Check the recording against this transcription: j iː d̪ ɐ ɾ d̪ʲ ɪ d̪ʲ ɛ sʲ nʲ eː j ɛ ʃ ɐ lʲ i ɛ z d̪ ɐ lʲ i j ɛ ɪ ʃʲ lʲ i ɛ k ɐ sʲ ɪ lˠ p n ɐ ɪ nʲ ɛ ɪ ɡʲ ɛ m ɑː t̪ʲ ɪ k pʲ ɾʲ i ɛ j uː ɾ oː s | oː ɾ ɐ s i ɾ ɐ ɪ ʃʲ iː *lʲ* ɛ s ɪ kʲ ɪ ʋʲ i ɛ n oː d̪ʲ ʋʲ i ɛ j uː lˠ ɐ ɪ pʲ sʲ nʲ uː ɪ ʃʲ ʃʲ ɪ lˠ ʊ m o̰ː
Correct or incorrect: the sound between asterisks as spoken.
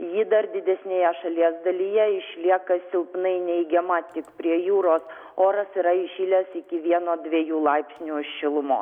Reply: correct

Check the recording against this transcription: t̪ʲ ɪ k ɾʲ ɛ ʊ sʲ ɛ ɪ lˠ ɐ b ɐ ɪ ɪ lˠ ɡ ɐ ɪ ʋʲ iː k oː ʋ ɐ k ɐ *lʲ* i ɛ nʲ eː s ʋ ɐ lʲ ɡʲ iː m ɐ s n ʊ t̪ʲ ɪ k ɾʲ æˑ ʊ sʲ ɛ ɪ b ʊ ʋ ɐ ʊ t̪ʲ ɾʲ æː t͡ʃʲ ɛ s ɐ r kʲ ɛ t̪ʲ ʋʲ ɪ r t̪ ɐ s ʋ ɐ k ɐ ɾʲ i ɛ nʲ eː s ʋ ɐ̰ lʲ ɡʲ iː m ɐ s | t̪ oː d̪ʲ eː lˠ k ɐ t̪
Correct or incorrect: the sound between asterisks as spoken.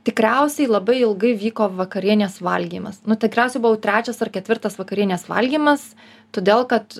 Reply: incorrect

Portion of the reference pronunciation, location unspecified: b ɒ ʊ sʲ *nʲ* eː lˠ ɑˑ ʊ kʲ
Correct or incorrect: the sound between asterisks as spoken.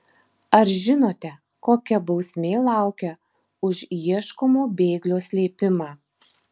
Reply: incorrect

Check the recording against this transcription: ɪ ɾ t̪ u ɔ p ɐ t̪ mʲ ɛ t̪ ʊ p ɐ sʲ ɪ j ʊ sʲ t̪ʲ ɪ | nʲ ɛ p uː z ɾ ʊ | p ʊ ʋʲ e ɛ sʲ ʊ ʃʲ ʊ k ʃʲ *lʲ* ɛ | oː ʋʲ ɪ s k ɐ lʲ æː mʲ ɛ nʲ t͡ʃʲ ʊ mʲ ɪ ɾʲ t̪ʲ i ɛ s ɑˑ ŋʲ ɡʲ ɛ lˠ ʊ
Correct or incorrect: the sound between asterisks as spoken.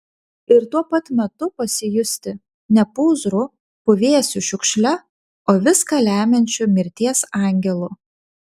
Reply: correct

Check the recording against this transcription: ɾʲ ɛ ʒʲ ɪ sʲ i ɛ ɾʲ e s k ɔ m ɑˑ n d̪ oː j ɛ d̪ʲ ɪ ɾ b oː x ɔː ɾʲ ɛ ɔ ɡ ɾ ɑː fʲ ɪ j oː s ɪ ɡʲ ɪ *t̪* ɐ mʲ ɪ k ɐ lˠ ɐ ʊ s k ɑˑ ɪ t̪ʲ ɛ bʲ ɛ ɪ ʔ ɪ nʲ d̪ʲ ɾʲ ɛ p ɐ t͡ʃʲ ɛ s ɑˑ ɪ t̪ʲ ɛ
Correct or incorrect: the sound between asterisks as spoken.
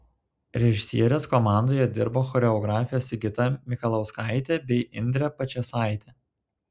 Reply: correct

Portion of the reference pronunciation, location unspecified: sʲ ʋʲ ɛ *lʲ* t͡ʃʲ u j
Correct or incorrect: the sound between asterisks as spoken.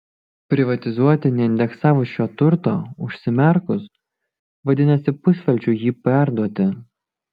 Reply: correct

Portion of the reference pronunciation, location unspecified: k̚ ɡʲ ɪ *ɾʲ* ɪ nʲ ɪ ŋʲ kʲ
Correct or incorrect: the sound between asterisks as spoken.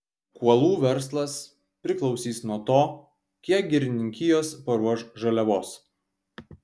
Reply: correct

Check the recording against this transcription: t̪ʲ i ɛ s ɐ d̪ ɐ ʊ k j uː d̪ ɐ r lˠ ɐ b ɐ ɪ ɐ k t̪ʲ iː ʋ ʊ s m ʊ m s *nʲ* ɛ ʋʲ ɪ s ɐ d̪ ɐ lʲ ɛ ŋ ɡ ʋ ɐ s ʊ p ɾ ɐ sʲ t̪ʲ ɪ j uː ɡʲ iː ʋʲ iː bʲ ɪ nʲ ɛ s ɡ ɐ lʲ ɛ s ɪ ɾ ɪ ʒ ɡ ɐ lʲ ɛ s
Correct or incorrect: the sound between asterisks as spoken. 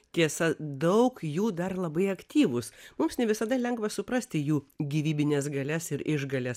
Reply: correct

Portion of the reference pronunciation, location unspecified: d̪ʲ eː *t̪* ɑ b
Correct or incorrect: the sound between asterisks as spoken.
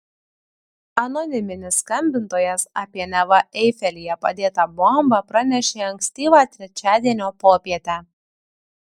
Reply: correct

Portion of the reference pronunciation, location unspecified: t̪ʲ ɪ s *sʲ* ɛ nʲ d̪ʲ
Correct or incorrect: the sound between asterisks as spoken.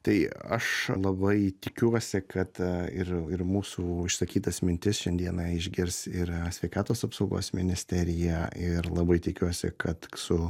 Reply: incorrect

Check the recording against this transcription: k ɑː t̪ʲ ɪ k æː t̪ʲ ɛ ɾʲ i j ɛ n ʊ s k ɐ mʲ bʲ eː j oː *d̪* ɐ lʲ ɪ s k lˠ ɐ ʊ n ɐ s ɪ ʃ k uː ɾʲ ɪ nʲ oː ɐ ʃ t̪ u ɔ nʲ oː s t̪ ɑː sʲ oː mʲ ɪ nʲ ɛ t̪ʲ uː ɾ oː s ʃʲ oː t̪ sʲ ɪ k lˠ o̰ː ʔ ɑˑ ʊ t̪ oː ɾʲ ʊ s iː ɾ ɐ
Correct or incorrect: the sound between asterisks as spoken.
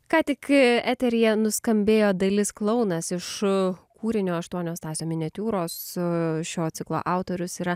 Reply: correct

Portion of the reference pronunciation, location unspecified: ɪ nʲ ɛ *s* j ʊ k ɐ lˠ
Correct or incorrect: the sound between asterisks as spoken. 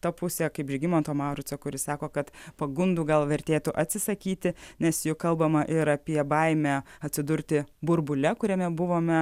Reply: correct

